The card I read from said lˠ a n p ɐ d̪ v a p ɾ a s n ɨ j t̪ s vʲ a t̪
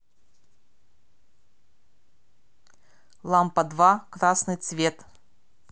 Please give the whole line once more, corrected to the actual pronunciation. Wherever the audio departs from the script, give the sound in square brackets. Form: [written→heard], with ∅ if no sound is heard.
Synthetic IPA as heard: lˠ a [n→m] p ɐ d̪ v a [p→k] ɾ a s n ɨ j t̪ s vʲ [a→e] t̪